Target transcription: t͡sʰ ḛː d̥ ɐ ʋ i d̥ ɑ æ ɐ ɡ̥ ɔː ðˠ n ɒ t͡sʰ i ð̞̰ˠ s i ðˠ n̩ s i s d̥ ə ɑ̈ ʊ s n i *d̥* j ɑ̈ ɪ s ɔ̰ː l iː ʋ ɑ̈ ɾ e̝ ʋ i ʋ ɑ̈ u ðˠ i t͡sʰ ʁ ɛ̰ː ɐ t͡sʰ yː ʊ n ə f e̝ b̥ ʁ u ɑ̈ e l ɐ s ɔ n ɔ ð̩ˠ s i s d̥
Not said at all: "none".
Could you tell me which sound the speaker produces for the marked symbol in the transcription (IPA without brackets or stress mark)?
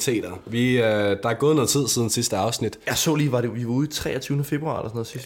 d̥